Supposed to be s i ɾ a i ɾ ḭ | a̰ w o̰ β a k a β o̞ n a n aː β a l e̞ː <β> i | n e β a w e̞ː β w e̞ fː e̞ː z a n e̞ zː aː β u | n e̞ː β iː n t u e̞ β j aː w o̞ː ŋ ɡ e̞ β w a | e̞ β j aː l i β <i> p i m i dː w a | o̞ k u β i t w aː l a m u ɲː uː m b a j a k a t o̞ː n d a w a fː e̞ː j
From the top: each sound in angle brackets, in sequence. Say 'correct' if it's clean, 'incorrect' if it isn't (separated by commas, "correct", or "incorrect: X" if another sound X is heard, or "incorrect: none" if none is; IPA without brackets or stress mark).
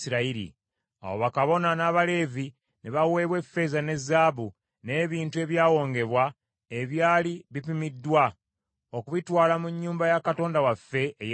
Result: incorrect: v, correct